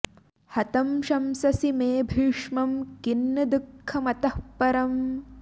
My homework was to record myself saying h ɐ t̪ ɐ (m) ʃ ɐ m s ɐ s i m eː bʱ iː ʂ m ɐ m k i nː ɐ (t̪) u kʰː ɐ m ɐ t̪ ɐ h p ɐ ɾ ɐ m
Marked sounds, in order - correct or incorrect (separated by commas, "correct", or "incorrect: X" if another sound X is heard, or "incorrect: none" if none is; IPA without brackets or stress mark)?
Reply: correct, incorrect: d̪